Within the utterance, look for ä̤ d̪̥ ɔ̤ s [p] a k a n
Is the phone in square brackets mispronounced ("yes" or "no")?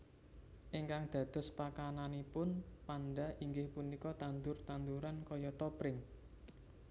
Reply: no